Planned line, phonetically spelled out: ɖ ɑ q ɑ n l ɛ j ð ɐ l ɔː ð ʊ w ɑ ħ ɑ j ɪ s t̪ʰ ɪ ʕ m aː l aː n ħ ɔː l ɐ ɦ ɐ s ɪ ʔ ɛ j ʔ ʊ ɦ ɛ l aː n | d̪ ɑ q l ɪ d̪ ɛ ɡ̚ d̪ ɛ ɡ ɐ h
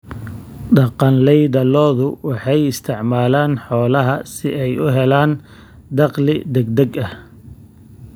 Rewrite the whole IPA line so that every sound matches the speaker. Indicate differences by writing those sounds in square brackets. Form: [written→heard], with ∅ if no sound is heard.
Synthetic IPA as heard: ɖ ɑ q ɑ n l ɛ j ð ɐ l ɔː ð ʊ w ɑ ħ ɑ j ɪ s t̪ʰ ɪ ʕ m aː l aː n ħ ɔː l ɐ ɦ ɐ s ɪ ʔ ɛ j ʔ ʊ ɦ ɛ l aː n | d̪ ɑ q l ɪ d̪ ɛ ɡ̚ d̪ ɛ ɡ ɐ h